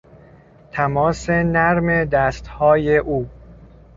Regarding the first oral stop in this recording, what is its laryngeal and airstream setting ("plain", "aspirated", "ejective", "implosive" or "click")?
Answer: aspirated